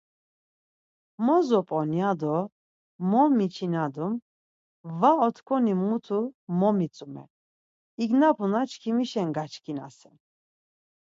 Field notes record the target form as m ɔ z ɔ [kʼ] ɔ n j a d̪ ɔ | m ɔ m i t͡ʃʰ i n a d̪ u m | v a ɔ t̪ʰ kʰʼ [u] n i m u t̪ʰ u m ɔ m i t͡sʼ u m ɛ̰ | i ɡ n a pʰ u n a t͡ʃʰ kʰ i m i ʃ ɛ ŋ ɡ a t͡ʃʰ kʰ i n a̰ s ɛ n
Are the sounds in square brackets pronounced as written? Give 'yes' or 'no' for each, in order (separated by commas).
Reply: no, no